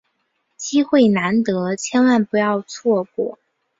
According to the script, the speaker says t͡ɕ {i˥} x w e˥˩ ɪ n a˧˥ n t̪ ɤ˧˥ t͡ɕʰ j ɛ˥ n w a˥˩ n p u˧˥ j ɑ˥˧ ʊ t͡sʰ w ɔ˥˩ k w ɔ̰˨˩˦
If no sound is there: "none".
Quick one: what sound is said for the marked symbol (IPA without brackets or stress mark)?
i˥